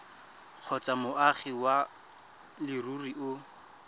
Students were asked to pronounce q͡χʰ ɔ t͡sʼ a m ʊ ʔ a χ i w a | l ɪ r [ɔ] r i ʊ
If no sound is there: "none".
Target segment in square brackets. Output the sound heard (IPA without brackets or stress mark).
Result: u